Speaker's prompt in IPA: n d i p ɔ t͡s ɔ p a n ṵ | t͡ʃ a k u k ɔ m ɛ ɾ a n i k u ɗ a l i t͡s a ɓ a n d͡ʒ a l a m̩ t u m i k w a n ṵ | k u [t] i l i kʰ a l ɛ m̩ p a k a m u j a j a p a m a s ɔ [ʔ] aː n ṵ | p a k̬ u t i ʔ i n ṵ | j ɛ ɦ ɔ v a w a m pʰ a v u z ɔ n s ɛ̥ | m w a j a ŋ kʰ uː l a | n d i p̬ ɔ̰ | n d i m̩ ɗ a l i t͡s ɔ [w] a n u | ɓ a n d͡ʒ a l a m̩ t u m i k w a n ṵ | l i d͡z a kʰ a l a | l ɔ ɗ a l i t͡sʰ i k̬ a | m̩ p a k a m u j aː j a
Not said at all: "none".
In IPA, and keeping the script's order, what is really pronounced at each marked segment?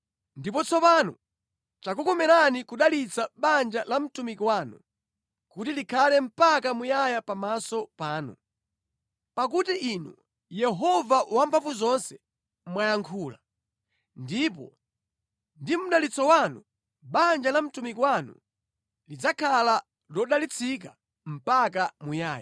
t, p, w

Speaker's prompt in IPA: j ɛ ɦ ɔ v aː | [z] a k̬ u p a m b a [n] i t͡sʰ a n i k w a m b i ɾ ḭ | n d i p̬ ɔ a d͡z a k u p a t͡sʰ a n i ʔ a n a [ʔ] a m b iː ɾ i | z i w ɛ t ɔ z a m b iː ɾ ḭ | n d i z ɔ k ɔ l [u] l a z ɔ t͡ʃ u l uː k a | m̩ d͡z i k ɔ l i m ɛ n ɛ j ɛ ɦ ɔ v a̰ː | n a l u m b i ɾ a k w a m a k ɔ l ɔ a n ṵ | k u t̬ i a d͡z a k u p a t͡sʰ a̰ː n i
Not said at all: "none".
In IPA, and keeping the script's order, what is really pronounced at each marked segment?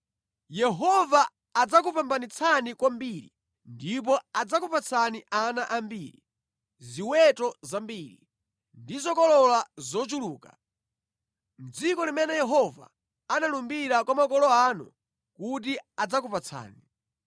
d͡z, n, ʔ, ɔ

